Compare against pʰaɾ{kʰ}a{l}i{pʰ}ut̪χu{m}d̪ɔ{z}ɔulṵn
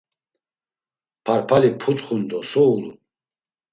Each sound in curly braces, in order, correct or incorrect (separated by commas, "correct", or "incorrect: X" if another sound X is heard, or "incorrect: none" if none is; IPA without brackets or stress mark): incorrect: pʰ, correct, correct, incorrect: n, incorrect: s